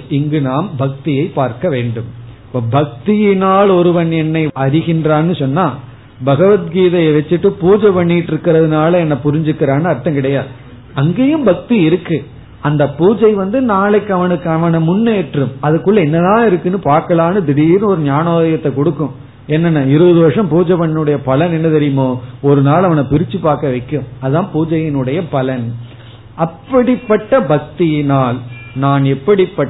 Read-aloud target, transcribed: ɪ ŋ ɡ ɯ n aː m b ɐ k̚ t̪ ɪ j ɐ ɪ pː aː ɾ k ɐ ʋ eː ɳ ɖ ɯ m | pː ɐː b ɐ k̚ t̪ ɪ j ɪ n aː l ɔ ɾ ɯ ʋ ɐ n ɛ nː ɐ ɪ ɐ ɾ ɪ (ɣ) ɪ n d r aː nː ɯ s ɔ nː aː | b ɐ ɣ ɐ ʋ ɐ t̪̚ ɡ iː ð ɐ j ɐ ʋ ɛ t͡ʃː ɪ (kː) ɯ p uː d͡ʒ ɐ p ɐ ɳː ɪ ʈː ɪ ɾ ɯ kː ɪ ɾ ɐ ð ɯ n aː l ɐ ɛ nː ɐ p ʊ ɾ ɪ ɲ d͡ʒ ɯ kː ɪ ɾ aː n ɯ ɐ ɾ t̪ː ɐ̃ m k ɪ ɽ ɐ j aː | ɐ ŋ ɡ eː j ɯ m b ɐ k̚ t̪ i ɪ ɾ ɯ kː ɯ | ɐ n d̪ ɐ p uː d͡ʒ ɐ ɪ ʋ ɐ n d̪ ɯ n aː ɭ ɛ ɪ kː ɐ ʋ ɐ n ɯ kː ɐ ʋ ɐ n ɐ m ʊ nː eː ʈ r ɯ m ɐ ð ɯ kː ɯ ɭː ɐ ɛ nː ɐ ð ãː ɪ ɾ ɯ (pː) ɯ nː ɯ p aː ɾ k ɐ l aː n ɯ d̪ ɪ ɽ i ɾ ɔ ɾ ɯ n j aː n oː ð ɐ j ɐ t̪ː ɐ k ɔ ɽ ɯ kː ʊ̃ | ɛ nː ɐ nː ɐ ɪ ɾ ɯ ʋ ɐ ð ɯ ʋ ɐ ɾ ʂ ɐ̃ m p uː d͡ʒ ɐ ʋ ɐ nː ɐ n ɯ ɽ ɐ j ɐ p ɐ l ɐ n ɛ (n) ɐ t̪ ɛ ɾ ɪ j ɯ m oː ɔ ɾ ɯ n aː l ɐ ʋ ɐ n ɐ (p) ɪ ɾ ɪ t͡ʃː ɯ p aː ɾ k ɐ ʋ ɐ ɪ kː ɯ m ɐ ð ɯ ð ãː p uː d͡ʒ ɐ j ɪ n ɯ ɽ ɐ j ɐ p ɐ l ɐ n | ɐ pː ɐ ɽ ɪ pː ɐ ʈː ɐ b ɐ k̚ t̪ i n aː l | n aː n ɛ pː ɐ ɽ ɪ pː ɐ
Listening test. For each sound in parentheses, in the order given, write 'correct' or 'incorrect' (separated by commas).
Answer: correct, incorrect, incorrect, incorrect, correct